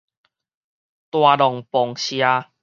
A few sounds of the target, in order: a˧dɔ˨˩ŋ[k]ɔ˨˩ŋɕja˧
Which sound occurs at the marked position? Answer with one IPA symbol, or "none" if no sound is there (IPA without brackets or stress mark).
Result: p